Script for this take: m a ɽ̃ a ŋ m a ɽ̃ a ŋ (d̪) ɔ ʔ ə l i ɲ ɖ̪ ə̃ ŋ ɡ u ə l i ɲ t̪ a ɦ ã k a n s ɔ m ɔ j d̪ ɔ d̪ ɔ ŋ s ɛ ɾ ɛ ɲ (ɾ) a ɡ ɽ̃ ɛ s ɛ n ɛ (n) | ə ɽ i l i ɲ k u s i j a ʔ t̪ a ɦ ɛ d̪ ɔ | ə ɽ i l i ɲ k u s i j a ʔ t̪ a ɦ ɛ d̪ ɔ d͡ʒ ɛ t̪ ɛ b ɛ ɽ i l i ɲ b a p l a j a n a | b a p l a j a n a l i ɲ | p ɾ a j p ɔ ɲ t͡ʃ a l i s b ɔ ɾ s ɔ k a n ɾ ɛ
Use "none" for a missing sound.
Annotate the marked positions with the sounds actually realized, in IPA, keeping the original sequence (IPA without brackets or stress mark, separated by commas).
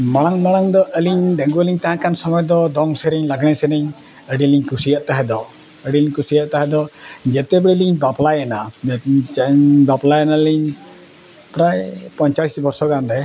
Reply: d̪, l, ɲ